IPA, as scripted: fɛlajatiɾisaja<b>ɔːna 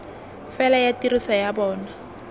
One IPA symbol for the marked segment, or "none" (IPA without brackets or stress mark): b